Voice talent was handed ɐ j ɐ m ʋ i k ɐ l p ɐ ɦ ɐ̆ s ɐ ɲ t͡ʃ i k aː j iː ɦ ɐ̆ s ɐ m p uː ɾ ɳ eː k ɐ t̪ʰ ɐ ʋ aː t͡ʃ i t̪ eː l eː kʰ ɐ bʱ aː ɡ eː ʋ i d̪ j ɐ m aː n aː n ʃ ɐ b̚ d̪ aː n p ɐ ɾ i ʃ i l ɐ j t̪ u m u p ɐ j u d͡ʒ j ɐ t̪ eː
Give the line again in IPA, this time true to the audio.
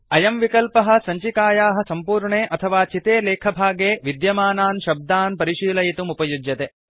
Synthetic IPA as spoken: ɐ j ɐ m ʋ i k ɐ l p ɐ ɦ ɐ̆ s ɐ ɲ t͡ʃ i k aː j aː ɦ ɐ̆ s ɐ m p uː ɾ ɳ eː ʔ ɐ t̪ʰ ɐ ʋ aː t͡ʃ i t̪ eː l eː kʰ ɐ bʱ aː ɡ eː ʋ i d̪ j ɐ m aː n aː n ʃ ɐ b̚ d̪ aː n p ɐ ɾ i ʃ iː l ɐ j t̪ u m u p ɐ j u d͡ʒ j ɐ t̪ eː

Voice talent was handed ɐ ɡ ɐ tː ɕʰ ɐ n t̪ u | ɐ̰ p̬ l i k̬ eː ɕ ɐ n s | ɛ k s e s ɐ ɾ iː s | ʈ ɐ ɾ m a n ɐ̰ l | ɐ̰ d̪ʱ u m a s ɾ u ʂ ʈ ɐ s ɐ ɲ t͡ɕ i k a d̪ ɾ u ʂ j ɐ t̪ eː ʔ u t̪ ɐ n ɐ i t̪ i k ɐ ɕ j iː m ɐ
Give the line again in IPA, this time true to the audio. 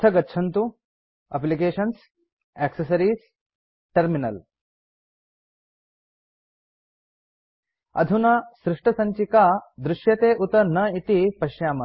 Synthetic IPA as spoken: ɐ ɡ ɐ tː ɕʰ ɐ n t̪ u | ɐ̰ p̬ l i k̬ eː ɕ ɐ n s | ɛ k s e s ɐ ɾ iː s | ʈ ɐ ɾ m i n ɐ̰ l | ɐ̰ d̪ʱ u n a s ɾ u ʂ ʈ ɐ s ɐ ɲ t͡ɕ i k a d̪ ɾ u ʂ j ɐ t̪ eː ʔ u t̪ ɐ n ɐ i t̪ i p ɐ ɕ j aː m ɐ

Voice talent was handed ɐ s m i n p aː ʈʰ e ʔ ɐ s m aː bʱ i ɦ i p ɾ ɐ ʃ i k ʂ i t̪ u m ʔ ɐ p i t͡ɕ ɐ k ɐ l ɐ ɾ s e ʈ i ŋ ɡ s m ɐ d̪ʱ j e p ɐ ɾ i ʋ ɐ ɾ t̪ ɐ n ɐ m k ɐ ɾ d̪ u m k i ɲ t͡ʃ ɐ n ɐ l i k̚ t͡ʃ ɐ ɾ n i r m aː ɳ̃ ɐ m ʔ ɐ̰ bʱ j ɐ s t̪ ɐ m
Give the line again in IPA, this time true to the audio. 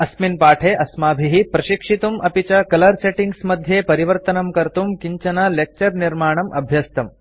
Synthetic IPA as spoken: ɐ s m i n p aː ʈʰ e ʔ ɐ s m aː bʱ i ɦ i p ɾ ɐ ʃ i k ʂ i t̪ u m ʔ ɐ p i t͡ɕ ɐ k ɐ l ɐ ɾ s e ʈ i ŋ ɡ s m ɐ d̪ʱ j e p ɐ ɾ i ʋ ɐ ɾ t̪ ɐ n ɐ m k ɐ ɾ t̪ u m k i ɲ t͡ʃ ɐ n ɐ l e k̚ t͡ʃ ɐ ɾ n i ɾ m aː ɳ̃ ɐ m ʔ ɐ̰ bʱ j ɐ s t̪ ɐ m

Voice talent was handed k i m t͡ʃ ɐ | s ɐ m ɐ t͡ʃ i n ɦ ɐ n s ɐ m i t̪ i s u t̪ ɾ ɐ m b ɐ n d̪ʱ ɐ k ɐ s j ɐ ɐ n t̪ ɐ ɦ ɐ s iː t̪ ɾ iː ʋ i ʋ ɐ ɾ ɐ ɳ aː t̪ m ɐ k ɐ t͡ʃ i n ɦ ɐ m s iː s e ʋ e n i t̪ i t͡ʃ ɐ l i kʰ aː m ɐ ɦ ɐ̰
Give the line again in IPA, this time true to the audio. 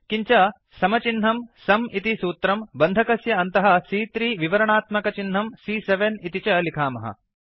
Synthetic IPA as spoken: k i ɲ t͡ʃ ɐ | s ɐ m ɐ t͡ʃ i n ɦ ɐ m s ɐ m i t̪ i s uː t̪ ɾ ɐ m b ɐ n d̪ʱ ɐ k ɐ s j ɐ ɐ n t̪ ɐ ɦ ɐ s iː t̪ ɾ iː ʋ i ʋ ɐ ɾ ɐ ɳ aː t̪ m ɐ k ɐ t͡ʃ i n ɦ ɐ m s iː s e ʋ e n i t̪ i t͡ʃ ɐ l i kʰ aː m ɐ ɦ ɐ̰

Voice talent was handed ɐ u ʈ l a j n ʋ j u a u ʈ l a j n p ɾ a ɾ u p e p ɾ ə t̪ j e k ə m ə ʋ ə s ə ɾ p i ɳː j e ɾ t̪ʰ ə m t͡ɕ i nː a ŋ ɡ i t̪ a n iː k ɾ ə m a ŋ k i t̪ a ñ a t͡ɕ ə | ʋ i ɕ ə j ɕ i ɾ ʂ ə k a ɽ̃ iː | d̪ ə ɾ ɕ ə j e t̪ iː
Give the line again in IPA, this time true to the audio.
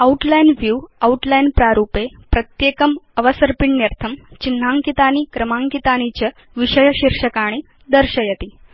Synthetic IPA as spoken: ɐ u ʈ l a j n ʋ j u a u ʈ l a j n p ɾ a ɾ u p e p ɾ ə t̪ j e k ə m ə ʋ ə s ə ɾ p i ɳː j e ɾ t̪ʰ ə m t͡ɕ i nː a ŋ k i t̪ a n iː k ɾ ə m a ŋ k i t̪ a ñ i t͡ɕ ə | ʋ i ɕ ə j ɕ i ɾ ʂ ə k a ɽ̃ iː | d̪ ə ɾ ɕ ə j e t̪ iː

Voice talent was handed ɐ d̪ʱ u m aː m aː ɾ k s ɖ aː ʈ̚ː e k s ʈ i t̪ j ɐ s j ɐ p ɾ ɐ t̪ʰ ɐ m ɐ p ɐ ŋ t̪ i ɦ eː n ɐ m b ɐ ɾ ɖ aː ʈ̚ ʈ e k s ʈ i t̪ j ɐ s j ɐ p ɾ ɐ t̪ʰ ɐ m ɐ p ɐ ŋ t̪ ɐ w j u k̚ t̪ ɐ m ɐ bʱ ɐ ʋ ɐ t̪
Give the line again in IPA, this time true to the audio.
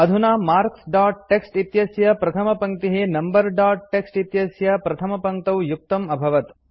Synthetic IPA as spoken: ɐ d̪ʱ u n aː m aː ɾ k s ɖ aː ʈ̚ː e k s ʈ i t̪ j ɐ s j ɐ p ɾ ɐ t̪ʰ ɐ m ɐ p ɐ ŋ t̪ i ɦ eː n ɐ m b ɐ ɾ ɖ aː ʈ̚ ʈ e k s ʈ i t̪ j ɐ s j ɐ p ɾ ɐ t̪ʰ ɐ m ɐ p ɐ ŋ t̪ ɐ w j u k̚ t̪ ɐ m ɐ bʱ ɐ ʋ ɐ t̪

